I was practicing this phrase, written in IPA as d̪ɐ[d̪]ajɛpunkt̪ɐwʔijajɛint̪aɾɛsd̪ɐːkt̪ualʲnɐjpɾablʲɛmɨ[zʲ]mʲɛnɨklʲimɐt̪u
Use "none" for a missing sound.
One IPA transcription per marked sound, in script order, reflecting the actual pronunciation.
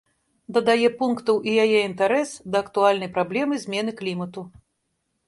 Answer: d̪, zʲ

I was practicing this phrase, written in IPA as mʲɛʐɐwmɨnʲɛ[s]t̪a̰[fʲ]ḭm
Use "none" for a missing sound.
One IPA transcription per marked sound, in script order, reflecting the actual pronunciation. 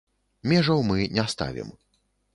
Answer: s, vʲ

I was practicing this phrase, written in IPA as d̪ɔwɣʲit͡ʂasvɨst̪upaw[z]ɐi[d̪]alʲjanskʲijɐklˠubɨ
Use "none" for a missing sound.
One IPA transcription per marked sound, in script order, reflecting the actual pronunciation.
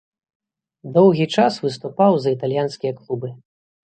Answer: z, t̪

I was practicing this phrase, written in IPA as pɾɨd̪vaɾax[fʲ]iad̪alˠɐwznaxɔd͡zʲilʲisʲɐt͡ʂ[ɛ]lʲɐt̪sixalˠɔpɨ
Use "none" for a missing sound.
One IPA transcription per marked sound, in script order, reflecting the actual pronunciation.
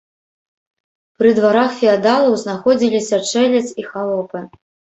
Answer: fʲ, ɛ

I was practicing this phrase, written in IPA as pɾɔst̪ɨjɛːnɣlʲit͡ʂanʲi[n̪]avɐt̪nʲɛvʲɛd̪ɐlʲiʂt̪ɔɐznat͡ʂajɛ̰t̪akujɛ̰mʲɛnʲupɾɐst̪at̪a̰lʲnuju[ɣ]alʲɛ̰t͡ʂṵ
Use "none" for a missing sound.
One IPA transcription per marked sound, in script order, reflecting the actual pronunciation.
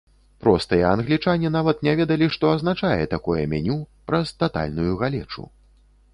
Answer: n̪, ɣ

